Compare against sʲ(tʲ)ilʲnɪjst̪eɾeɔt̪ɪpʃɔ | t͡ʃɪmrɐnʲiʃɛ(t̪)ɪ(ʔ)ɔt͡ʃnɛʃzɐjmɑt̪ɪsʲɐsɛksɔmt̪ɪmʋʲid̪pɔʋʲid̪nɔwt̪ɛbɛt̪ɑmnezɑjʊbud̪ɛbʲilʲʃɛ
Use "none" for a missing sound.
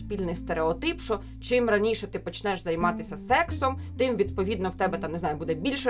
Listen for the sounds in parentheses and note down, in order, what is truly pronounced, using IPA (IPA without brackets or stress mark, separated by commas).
pʲ, t̪, p